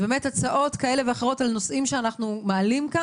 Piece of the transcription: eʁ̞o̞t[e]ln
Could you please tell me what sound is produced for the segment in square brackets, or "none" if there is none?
a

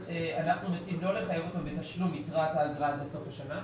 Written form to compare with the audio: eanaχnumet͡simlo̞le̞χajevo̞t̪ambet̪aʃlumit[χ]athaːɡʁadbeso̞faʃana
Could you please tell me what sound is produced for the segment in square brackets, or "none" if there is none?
ʁ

